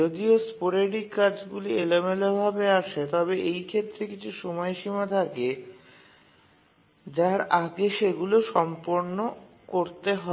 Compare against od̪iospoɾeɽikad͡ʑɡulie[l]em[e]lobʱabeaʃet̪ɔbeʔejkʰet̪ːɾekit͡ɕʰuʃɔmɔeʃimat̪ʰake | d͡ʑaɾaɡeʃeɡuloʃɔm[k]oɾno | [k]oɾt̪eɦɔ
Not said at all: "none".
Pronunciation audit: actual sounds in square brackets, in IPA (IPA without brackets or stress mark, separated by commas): l, e, p, k